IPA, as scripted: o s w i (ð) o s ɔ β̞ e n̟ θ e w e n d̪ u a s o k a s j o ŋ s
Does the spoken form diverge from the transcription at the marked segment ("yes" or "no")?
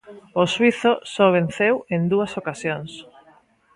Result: yes